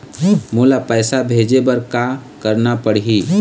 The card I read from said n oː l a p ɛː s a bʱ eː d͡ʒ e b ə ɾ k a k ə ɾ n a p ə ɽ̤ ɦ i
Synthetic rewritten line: m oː l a p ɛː s a bʱ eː d͡ʒ e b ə ɾ k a k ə ɾ n a p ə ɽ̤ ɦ i